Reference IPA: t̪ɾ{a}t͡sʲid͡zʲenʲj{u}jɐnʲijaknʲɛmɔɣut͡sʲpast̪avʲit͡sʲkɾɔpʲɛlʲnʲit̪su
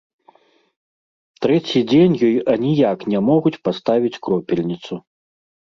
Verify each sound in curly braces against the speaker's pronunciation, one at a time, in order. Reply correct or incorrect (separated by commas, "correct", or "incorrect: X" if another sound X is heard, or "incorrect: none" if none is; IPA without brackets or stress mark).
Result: incorrect: ɛ, incorrect: ɔ